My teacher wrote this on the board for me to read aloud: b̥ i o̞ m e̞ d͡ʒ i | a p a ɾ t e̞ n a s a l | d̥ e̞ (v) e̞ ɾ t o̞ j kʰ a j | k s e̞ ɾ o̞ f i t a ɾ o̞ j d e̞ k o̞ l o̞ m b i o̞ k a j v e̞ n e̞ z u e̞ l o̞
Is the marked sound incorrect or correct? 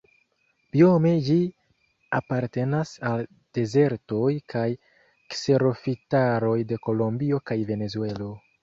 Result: incorrect